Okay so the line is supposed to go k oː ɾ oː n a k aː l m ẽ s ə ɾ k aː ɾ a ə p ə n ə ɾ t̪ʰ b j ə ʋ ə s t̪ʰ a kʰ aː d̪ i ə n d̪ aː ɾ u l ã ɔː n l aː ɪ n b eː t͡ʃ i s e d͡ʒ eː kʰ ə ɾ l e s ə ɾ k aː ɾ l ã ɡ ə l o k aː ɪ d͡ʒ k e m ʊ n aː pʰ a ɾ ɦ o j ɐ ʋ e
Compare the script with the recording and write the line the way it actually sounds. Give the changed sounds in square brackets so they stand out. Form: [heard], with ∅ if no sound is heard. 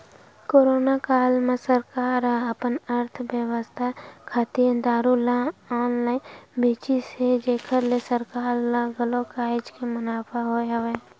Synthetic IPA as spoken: k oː ɾ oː n a k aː l m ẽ s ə ɾ k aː ɾ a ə p ə n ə ɾ t̪ʰ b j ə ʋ ə s t̪ʰ a kʰ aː [t̪] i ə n d̪ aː ɾ u l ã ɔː n l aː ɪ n b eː t͡ʃ i s e d͡ʒ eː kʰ ə ɾ l e s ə ɾ k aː ɾ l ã ɡ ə l o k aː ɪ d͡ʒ k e m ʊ n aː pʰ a [∅] ɦ o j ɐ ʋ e